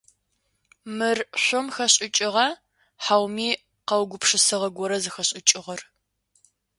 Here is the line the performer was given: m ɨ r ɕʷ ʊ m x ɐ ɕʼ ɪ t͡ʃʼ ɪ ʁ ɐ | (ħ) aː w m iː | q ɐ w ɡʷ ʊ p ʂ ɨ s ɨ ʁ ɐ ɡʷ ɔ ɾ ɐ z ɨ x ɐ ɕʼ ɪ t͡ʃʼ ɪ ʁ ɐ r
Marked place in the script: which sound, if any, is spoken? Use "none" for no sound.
ħ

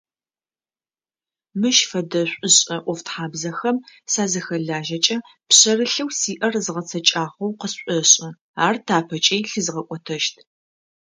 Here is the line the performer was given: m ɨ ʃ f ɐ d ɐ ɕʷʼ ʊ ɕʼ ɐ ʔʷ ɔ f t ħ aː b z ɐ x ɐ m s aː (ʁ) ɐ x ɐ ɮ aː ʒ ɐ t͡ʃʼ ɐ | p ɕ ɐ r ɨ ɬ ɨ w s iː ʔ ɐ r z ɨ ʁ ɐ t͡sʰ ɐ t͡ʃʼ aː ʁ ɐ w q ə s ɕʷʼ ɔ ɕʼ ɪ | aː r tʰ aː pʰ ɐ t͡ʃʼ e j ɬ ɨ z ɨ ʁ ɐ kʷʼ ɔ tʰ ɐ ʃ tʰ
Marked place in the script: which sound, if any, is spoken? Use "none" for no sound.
z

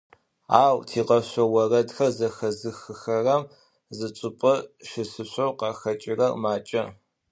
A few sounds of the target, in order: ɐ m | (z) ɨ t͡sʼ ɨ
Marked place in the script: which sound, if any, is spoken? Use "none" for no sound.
z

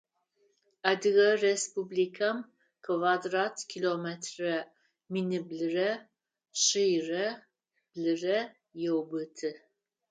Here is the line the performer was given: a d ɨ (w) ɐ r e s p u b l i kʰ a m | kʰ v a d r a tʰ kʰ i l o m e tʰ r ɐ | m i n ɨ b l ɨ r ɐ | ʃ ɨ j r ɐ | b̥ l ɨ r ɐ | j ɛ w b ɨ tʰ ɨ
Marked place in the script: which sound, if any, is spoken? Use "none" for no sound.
ɣ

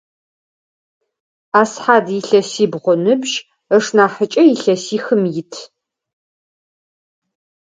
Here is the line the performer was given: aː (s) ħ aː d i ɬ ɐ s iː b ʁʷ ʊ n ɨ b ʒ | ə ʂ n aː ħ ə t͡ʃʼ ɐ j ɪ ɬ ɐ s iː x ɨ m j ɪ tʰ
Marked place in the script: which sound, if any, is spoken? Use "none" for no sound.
s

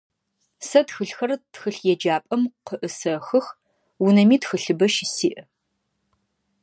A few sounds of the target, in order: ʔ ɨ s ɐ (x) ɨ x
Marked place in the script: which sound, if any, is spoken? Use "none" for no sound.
x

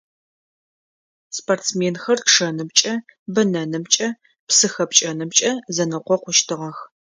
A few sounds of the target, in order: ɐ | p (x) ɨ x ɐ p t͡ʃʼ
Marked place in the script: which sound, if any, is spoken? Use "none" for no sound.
s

